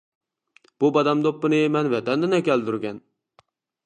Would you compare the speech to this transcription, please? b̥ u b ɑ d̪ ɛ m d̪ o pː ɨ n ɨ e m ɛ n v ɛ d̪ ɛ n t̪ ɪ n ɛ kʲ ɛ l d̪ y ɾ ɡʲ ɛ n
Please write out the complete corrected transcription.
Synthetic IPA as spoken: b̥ u b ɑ d̪ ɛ m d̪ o pː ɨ n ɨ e m ɛ n v ɛ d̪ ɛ n d̪ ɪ n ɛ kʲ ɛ l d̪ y ɾ ɡʲ ɛ n